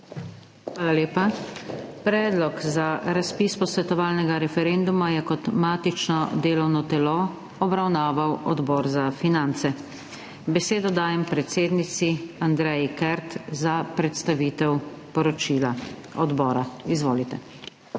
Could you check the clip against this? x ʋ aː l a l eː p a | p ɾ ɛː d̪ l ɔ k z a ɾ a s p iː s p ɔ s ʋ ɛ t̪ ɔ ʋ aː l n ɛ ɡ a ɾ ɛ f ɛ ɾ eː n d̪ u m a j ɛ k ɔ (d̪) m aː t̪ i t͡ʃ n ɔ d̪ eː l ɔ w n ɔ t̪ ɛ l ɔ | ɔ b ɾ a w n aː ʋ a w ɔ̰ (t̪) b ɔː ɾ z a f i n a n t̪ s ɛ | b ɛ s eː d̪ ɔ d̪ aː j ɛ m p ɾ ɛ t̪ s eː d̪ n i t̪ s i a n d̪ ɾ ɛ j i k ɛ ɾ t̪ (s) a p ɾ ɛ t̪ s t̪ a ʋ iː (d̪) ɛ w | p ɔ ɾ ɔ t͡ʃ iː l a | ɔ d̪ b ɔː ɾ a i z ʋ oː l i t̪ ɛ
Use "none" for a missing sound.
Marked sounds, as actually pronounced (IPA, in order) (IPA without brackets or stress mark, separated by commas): t̪, d̪, z, t̪